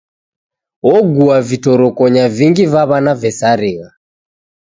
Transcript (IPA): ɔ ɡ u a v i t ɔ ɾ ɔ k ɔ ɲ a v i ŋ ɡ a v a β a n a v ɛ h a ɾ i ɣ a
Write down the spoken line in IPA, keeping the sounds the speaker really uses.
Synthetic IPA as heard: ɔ ɡ u a v i t ɔ ɾ ɔ k ɔ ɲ a v i ŋ ɡ i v a β a n a v ɛ s a ɾ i ɣ a